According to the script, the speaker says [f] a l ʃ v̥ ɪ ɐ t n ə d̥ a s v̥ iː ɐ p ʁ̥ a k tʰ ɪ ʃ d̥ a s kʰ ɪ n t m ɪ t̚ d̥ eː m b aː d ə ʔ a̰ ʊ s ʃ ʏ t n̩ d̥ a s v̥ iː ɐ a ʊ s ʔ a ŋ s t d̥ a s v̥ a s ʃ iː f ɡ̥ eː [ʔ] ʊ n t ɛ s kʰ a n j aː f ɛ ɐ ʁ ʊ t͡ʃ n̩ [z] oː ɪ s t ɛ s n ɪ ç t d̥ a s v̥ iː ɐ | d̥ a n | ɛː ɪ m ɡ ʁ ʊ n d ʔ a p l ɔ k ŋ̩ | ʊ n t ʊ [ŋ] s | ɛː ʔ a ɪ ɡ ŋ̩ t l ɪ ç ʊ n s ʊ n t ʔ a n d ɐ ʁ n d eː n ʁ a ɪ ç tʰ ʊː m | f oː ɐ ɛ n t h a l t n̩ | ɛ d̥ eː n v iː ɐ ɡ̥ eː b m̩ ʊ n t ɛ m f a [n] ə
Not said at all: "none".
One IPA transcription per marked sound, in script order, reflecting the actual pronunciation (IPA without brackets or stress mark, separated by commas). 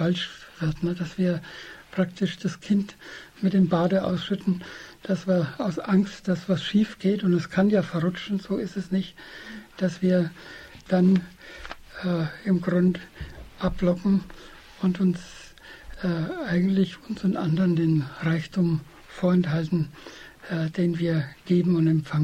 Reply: f, t, z, n, ŋ